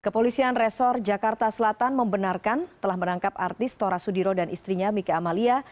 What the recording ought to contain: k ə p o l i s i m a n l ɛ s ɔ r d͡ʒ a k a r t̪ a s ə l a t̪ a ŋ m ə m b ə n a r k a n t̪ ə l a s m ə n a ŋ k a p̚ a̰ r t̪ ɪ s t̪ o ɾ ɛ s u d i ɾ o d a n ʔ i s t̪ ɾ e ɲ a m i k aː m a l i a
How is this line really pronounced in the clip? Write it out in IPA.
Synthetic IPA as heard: k ə p o l i s i a n r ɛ s ɔ r d͡ʒ a k a r t̪ a s ə l a t̪ a n m ə m b ə n a r k a n t̪ ə l a h m ə n a ŋ k a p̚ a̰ r t̪ ɪ s t̪ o ɾ a s u d i ɾ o d a n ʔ i s t̪ ɾ i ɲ a m i k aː m a l i a